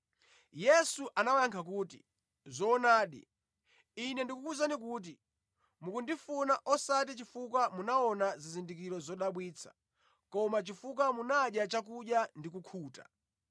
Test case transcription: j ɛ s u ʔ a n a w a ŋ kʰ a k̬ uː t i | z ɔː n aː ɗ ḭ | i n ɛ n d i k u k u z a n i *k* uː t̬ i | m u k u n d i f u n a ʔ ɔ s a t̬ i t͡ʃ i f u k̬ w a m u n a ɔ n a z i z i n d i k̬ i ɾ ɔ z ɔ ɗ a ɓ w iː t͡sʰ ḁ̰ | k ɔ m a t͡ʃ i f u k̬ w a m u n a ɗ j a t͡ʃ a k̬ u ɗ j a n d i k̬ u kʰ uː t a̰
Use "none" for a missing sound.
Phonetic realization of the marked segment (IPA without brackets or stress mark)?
k